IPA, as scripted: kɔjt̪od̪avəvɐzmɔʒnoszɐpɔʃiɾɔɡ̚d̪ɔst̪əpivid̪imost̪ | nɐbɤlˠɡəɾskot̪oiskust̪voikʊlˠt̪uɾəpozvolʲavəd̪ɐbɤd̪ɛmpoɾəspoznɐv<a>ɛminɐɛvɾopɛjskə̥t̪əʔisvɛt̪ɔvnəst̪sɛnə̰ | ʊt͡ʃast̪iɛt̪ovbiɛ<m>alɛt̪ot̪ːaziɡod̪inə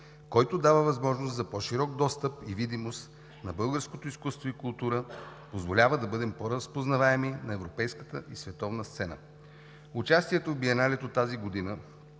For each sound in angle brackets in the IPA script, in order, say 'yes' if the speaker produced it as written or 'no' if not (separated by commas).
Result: yes, no